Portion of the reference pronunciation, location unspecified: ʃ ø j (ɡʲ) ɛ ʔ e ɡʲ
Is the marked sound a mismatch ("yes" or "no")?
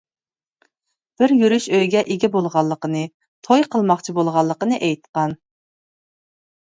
no